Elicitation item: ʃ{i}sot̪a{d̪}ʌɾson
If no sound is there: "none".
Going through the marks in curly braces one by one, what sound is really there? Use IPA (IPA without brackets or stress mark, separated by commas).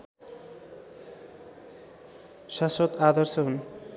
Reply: a, d̪